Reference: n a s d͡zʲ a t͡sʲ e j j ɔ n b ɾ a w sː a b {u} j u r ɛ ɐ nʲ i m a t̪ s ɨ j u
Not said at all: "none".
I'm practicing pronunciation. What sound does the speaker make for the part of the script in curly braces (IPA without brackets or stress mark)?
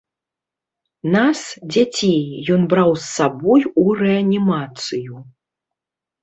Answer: ɔ